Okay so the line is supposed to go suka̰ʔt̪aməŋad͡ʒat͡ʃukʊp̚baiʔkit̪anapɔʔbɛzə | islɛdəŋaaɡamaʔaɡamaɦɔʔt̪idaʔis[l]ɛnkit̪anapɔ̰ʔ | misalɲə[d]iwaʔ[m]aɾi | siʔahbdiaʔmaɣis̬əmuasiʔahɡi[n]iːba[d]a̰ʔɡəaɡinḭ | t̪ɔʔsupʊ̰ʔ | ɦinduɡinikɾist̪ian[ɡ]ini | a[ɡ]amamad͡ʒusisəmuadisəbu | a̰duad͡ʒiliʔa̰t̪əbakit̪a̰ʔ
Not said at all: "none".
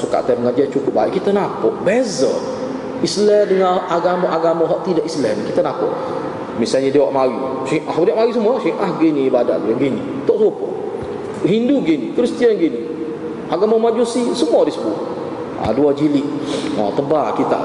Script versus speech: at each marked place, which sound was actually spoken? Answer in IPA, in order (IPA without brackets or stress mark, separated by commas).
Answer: l, d, m, n, d, ɡ, ɡ